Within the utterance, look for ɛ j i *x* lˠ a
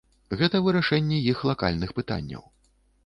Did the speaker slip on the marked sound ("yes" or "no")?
no